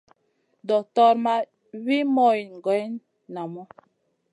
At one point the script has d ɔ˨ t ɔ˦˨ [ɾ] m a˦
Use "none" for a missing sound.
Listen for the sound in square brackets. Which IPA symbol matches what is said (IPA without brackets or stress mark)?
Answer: ɾ